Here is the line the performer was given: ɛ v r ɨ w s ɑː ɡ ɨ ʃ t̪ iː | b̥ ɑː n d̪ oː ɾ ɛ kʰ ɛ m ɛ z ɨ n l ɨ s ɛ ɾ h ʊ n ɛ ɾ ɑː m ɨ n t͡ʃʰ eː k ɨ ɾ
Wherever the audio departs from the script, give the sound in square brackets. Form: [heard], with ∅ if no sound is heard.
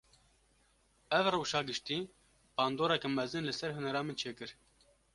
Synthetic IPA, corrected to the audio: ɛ v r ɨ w [ʃ] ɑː ɡ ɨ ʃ t̪ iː | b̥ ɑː n d̪ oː ɾ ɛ [k] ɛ m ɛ z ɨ n l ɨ s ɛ ɾ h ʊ n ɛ ɾ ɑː m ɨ n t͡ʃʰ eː k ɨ ɾ